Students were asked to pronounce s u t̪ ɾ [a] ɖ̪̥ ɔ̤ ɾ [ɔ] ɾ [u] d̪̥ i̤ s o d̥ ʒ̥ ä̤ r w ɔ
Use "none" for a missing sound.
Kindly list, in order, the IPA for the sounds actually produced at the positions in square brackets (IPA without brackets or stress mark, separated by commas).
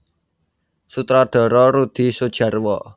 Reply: a, ɔ, u